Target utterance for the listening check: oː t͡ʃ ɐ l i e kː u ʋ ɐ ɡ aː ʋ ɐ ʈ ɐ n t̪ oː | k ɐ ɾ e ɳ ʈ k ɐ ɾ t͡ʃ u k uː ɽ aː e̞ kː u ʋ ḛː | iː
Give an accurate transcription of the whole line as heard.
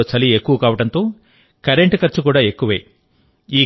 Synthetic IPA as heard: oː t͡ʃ ɐ l i e kː u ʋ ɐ k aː ʋ ɐ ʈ ɐ n t̪ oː | k ɐ ɾ e ɳ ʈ k ɐ ɾ t͡ʃ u k uː ɽ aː e̞ kː u ʋ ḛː | iː